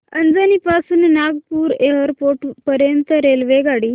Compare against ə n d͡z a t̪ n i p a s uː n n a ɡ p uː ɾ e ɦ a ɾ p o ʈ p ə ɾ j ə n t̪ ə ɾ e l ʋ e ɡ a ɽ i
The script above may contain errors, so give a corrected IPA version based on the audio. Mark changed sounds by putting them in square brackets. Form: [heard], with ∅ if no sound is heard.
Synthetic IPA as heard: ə n d͡z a [∅] n i p a s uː n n a ɡ p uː ɾ e ɦ [ə] ɾ p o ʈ p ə ɾ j ə n t̪ ə ɾ e l ʋ e ɡ a ɽ i